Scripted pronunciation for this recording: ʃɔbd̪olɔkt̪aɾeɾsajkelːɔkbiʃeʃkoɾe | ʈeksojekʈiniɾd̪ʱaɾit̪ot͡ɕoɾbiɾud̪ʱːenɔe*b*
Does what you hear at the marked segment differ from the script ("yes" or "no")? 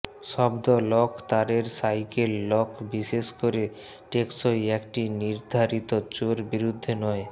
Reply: yes